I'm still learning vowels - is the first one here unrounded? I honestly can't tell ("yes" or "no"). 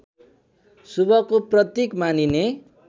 no